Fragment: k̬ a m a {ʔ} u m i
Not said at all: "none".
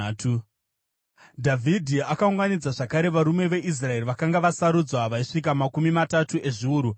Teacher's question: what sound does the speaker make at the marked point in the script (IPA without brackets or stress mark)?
k